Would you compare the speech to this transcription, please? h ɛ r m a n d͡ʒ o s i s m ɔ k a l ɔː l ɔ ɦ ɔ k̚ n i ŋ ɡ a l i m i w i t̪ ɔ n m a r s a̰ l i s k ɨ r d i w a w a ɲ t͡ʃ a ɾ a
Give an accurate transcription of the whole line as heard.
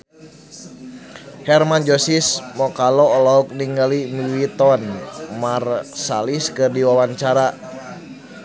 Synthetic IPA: h ɛ r m a n d͡ʒ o s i s m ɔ k a l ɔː l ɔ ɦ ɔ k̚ n i ŋ ɡ a l i m i w i t̪ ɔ n m a r s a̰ l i s k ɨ r d i w a w a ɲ t͡ʃ a ɾ a